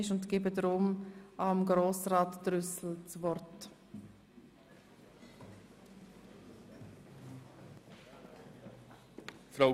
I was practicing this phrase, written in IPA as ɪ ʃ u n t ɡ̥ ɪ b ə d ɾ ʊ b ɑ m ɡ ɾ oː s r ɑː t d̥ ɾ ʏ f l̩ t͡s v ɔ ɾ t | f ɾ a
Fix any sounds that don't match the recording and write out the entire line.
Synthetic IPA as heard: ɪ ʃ ʊ n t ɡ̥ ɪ b ə d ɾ ʊ m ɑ m ɡ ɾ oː s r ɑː t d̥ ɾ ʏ s l̩ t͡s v ɔ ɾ t | f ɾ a